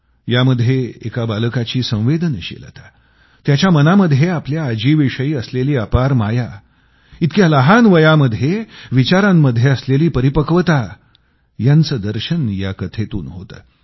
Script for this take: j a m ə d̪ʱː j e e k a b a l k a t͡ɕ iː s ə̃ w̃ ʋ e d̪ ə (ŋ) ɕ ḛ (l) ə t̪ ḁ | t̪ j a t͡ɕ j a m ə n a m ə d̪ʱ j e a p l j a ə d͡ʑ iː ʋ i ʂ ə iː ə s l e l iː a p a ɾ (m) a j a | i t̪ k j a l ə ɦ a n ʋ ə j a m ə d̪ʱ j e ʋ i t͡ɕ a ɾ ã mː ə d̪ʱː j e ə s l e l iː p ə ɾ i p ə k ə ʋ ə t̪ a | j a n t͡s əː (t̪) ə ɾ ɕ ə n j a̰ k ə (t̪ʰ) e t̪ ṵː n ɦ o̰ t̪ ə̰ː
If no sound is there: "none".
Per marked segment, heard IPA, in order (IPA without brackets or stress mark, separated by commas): n, l, m, d̪, t̪ʰ